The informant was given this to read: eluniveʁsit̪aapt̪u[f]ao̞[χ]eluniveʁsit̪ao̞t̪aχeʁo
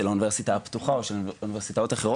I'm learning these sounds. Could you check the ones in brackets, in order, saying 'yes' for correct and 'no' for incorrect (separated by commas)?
no, no